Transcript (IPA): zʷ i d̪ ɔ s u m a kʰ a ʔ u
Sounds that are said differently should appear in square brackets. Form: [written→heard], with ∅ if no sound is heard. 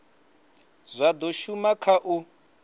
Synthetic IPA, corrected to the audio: zʷ [i→a] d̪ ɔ [s→ʃ] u m a kʰ a ʔ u